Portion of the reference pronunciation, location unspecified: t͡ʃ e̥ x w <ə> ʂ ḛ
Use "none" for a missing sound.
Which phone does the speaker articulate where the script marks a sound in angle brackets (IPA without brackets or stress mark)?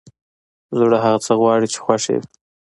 a